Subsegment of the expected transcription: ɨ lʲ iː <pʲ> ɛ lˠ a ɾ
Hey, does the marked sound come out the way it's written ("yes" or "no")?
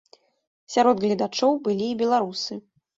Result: no